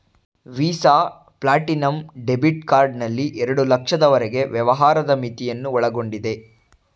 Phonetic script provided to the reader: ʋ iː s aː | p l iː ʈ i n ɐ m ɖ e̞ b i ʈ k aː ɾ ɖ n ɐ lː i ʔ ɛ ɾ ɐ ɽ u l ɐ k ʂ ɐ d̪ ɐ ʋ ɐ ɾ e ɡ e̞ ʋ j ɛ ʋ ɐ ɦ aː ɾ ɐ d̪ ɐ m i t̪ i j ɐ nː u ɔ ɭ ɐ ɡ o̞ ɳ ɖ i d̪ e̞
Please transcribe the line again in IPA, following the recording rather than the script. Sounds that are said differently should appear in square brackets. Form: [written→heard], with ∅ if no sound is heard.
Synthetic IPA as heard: ʋ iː s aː | p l [iː→aː] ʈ i n ɐ m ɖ e̞ b i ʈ k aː ɾ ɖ n ɐ lː i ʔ ɛ ɾ ɐ ɽ u l ɐ k ʂ ɐ d̪ ɐ ʋ ɐ ɾ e ɡ e̞ ʋ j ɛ ʋ ɐ ɦ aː ɾ ɐ d̪ ɐ m i t̪ i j ɐ nː u ɔ ɭ ɐ ɡ o̞ ɳ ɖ i d̪ e̞